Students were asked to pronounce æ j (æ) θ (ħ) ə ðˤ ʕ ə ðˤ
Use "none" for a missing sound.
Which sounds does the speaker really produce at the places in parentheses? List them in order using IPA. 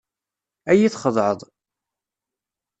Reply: i, χ

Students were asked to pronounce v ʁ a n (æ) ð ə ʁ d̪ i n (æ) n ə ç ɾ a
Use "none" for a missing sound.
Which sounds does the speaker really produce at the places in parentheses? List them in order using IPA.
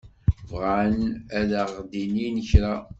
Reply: æ, i

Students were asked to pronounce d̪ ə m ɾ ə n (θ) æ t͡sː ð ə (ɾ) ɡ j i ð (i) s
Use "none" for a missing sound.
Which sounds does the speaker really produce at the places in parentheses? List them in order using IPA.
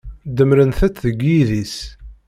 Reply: θ, none, i

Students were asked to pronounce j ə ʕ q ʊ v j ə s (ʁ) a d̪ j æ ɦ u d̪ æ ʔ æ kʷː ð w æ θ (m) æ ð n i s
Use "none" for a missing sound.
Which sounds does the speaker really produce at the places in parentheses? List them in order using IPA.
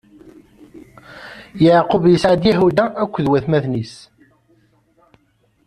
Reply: ʕ, m

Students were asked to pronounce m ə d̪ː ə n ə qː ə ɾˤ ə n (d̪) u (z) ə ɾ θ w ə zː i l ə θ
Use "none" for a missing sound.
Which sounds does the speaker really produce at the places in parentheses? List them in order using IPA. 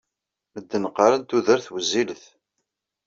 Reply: t̪, ð

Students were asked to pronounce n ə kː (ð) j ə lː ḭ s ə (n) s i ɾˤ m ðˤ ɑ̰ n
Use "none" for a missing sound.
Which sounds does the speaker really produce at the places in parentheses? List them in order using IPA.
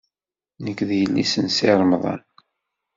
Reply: ð, n

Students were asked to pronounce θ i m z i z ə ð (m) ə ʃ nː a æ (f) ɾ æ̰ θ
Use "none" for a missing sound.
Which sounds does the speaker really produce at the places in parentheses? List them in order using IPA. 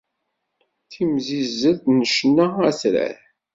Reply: n, s

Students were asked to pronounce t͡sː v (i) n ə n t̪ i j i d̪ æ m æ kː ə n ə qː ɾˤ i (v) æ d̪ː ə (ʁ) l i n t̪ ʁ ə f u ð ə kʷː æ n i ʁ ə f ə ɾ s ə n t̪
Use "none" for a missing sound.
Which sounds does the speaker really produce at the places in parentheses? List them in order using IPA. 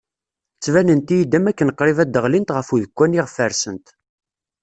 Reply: æ, v, ʁ

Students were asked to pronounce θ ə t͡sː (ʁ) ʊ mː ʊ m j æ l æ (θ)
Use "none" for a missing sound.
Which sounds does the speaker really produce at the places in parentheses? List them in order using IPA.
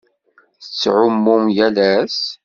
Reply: ʕ, s

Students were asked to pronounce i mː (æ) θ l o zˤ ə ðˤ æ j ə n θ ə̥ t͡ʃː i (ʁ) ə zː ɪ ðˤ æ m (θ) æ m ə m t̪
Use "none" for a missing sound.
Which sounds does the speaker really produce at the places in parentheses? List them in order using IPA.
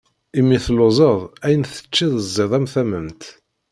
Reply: i, ð, θ

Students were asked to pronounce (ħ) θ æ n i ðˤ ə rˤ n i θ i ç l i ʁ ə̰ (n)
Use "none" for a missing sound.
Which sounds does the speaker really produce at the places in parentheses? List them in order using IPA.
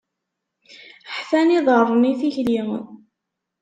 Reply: ħ, n

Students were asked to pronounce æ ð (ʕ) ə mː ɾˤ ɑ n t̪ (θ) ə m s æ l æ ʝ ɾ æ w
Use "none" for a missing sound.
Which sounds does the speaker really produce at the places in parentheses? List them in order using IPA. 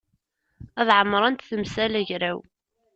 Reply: ʕ, θ

